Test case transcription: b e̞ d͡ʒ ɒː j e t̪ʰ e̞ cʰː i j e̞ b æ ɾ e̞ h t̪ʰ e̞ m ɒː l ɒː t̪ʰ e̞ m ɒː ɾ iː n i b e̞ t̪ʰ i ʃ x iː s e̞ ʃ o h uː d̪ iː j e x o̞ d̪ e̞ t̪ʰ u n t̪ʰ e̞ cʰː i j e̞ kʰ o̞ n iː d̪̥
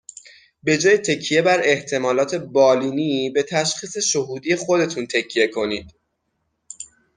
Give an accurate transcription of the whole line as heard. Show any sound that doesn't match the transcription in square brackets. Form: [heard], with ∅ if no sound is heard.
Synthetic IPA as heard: b e̞ d͡ʒ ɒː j e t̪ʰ e̞ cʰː i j e̞ b æ ɾ e̞ h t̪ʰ e̞ m ɒː l ɒː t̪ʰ e̞ [b] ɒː [l] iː n i b e̞ t̪ʰ [æ] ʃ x iː s e̞ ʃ o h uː d̪ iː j e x o̞ d̪ e̞ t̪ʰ u n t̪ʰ e̞ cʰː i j e̞ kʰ o̞ n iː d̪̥

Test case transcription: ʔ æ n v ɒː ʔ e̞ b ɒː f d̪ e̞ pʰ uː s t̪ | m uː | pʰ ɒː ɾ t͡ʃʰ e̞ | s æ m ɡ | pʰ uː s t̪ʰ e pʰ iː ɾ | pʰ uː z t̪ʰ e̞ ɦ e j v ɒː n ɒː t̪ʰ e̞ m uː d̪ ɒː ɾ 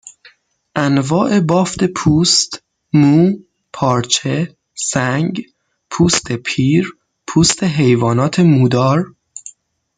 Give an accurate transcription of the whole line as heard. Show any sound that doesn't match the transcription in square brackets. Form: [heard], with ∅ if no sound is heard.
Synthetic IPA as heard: ʔ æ n v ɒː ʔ e̞ b ɒː f [t̪] e̞ pʰ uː s t̪ | m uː | pʰ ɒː ɾ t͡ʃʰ e̞ | s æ [ŋ] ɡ | pʰ uː s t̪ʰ e pʰ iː ɾ | pʰ uː [s] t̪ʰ e̞ ɦ e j v ɒː n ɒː t̪ʰ e̞ m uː d̪ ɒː ɾ

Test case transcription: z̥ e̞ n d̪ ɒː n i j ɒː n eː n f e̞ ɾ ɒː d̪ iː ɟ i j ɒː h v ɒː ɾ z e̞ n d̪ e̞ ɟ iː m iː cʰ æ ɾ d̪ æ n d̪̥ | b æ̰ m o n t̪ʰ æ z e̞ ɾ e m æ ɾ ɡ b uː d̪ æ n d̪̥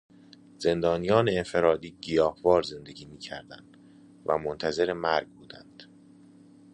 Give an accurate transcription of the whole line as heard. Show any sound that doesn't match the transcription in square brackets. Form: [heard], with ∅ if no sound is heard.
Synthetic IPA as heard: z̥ e̞ n d̪ ɒː n i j ɒː n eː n f e̞ ɾ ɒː d̪ iː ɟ i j ɒː h v ɒː ɾ z e̞ n d̪ e̞ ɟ iː m iː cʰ æ ɾ d̪ æ n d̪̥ | [v] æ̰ m o n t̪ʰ æ z e̞ ɾ e m æ ɾ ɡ b uː d̪ æ n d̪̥

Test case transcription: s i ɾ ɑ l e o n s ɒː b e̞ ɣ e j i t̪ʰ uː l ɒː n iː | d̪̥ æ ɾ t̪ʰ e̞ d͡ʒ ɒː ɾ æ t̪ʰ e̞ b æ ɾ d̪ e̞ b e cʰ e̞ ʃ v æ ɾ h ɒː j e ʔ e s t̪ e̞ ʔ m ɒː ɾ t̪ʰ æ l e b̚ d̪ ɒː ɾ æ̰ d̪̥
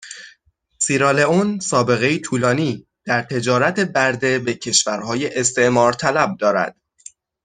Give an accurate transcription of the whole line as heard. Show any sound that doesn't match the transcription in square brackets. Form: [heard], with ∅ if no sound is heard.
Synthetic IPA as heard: s i ɾ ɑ l e o n s ɒː b e̞ ɣ e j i t̪ʰ uː l ɒː n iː | d̪̥ æ ɾ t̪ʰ e̞ d͡ʒ ɒː ɾ æ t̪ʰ e̞ b æ ɾ d̪ e̞ b e cʰ e̞ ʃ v æ ɾ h ɒː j e ʔ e s t̪ e̞ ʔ m ɒː ɾ t̪ʰ æ l [æ] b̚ d̪ ɒː ɾ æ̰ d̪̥

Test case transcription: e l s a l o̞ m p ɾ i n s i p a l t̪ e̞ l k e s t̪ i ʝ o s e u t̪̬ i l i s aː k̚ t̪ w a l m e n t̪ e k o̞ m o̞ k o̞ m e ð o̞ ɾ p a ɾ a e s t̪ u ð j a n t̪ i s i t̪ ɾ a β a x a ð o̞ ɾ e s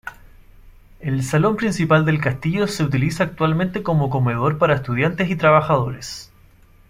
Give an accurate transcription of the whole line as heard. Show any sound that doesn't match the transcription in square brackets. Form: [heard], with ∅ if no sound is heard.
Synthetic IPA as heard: e l s a l o̞ m p ɾ i n s i p a l [d̪] e̞ l k [a] s t̪ i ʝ o s e u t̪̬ i l i s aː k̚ t̪ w a l m e n t̪ e k o̞ m o̞ k o̞ m e ð o̞ ɾ p a ɾ a e s t̪ u ð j a n t̪ [e] s i t̪ ɾ a β a x a ð o̞ ɾ e s

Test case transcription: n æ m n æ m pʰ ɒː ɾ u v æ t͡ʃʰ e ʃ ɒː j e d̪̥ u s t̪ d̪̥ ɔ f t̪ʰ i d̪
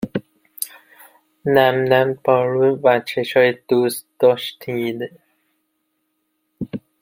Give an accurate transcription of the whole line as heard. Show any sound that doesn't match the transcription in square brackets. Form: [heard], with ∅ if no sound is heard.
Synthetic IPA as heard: n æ m n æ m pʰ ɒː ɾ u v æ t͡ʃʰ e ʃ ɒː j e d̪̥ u s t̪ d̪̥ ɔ [ʃ] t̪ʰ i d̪

